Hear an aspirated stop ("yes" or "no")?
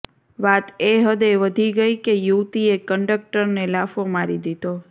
no